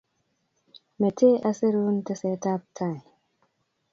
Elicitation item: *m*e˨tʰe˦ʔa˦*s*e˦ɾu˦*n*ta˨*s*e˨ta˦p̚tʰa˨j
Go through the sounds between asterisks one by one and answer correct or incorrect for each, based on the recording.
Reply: correct, correct, correct, correct

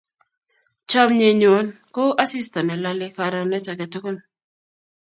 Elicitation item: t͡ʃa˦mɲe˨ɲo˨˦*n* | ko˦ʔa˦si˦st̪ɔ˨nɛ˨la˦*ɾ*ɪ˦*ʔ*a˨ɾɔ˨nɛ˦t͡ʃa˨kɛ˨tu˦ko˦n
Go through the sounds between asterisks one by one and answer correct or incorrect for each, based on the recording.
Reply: correct, incorrect: l, incorrect: k

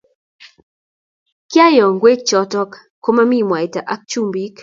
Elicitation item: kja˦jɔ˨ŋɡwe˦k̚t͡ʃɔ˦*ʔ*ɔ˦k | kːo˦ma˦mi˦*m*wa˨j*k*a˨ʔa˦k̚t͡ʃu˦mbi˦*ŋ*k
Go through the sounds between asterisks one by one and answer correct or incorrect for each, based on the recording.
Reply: incorrect: t, correct, incorrect: t, incorrect: none

